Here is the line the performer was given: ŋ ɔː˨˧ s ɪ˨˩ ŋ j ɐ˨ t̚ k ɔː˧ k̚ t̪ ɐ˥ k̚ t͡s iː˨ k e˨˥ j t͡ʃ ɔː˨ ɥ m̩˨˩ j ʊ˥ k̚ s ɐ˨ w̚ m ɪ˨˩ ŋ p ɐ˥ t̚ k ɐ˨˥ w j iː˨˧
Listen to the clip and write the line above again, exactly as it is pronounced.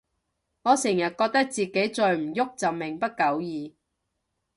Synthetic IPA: ŋ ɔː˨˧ s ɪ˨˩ ŋ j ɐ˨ t̚ k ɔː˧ k̚ t̪ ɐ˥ k̚ t͡s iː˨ k e˨˥ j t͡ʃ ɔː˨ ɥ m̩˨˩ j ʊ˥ k̚ t͡s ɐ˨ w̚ m ɪ˨˩ ŋ p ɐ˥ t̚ k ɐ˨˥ w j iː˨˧

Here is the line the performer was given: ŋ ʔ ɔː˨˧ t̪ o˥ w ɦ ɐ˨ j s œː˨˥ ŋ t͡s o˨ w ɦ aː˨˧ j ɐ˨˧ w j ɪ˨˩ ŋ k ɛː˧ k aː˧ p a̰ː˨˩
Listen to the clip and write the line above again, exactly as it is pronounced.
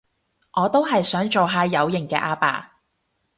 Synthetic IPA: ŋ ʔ ɔː˨˧ t̪ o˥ w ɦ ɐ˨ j s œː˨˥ ŋ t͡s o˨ w ɦ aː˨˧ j ɐ˨˧ w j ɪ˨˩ ŋ k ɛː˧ ʔ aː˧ p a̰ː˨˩

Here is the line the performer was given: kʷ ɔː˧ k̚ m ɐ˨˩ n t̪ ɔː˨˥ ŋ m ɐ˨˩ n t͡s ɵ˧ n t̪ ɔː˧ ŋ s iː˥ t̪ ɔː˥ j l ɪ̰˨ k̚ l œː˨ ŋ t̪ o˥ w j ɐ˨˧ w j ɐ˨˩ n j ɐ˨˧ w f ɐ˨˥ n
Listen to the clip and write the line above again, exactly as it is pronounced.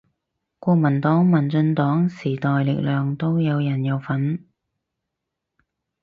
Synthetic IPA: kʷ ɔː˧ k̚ m ɐ˨˩ n t̪ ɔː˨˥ ŋ m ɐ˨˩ n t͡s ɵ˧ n t̪ ɔː˨˥ ŋ s iː˨˩ t̪ ɔː˨ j l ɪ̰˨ k̚ l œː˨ ŋ t̪ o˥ w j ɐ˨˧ w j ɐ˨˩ n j ɐ˨˧ w f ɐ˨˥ n

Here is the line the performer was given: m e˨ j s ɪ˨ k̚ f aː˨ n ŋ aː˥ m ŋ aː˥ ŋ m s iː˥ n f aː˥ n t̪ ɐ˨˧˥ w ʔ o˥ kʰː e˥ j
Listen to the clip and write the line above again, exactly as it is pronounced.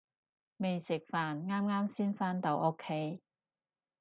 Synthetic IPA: m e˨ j s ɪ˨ k̚ f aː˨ n ŋ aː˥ m ŋ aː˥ m s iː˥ n f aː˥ n t̪ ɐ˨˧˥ w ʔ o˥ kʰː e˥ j

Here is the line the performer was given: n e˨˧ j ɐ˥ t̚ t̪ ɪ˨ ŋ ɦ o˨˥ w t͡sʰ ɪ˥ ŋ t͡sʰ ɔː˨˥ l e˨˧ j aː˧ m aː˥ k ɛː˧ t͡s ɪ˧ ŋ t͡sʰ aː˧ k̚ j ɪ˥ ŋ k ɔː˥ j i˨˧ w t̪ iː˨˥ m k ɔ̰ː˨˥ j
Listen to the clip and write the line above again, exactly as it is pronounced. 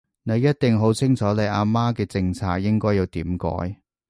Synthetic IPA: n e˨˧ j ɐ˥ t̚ t̪ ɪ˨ ŋ ɦ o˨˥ w t͡sʰ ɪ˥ ŋ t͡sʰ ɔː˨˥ l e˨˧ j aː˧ m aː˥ k ɛː˧ t͡s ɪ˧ ŋ t͡sʰ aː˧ k̚ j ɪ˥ ŋ k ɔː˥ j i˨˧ w t̪ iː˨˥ m k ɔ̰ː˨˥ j

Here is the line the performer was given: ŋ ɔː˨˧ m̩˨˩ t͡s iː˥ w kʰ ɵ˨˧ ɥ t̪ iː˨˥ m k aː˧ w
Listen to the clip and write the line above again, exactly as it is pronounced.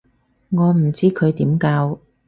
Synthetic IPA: ŋ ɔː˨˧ m̩˨˩ t͡s iː˥ kʰ ɵ˨˧ ɥ t̪ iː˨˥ m k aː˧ w

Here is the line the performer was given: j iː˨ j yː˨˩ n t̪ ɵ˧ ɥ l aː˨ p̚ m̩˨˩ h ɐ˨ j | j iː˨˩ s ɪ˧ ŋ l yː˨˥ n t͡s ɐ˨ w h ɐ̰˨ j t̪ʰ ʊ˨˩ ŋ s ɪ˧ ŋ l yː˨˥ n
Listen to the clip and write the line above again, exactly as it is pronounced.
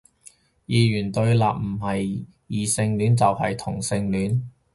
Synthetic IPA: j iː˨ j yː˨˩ n t̪ ɵ˧ ɥ l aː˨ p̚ m̩˨˩ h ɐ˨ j | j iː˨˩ s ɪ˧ ŋ l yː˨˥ n t͡s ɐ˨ w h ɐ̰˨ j t̪ʰ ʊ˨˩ ŋ s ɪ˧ ŋ l yː˨˥ n

